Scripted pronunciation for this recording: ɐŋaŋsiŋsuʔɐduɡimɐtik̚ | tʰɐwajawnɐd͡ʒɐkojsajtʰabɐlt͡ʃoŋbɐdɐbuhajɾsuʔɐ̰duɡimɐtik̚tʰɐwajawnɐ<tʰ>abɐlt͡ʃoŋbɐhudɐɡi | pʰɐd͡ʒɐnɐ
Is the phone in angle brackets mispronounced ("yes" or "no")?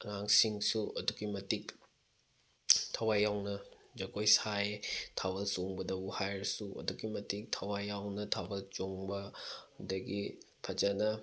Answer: no